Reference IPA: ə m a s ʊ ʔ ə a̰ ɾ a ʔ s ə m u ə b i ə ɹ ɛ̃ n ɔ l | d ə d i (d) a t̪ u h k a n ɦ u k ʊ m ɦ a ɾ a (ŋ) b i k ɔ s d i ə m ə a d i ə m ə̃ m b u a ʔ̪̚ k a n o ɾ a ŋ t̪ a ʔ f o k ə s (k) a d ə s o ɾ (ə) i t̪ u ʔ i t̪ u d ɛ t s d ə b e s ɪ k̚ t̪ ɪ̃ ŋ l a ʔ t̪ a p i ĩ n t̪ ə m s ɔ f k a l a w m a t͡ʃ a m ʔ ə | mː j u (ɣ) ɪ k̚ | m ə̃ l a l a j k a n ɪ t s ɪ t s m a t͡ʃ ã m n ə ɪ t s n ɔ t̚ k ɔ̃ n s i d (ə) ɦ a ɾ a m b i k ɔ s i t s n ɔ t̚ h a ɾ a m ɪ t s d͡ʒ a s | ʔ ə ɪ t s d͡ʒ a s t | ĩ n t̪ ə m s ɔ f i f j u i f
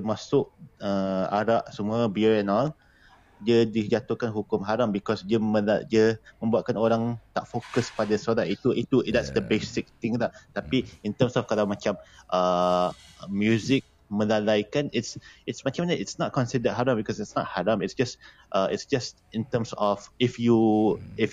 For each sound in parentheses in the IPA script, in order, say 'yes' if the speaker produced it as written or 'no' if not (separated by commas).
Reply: no, no, no, no, no, yes